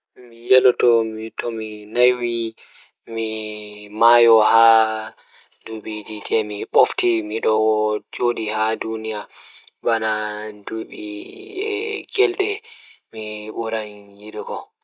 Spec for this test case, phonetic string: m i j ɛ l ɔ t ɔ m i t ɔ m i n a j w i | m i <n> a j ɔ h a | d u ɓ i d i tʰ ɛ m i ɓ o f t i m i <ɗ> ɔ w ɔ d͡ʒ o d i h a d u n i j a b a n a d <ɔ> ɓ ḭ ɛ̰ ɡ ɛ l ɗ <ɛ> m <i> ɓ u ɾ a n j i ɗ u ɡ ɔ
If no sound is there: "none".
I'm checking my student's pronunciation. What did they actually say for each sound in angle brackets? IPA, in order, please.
m, ɗ, u, ɛ, i

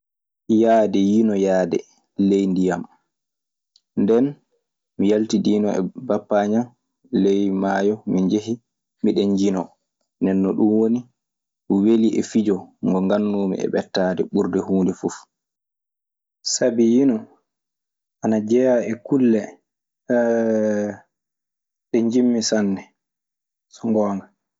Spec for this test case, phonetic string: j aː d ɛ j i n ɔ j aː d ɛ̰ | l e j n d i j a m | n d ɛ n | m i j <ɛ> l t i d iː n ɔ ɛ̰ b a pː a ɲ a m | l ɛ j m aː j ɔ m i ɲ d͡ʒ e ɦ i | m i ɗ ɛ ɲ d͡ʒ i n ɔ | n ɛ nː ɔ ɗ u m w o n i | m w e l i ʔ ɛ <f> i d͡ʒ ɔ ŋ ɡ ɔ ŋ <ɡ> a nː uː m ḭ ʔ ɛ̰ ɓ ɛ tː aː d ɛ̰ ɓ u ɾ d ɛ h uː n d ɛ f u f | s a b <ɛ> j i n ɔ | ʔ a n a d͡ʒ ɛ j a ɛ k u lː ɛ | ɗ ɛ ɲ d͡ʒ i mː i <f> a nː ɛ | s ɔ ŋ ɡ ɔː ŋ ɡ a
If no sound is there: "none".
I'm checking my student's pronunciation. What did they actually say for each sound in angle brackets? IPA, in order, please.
a, f, ɡ, i, s

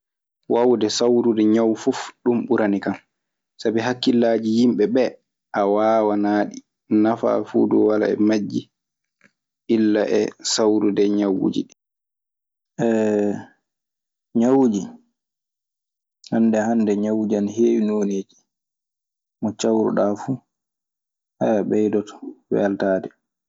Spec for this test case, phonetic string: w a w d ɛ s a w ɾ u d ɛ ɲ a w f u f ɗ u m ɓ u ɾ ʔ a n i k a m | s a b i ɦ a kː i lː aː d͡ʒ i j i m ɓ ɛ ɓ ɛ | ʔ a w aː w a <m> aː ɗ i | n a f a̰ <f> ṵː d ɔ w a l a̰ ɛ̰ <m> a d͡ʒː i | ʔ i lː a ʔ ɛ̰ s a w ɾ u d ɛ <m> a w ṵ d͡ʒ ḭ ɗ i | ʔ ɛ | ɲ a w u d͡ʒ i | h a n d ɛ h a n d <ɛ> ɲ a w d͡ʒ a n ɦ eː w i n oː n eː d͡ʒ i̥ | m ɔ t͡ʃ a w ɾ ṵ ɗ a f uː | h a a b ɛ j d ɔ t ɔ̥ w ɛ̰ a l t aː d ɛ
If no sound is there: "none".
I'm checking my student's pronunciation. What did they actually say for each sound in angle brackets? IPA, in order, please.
n, f, m, ɲ, ɛ

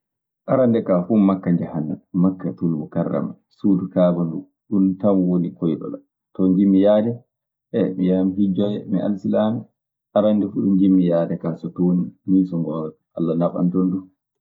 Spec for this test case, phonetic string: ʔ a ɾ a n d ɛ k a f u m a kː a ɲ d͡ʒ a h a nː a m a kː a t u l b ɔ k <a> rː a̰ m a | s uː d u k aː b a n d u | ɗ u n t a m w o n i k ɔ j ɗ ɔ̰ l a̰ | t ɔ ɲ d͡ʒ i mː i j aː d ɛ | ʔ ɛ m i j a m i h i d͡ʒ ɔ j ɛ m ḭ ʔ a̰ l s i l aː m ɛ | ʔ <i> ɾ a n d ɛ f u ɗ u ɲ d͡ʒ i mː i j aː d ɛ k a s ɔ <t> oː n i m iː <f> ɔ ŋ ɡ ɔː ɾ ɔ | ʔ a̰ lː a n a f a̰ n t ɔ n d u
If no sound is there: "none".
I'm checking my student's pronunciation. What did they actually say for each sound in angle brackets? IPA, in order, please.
a, a, t, s

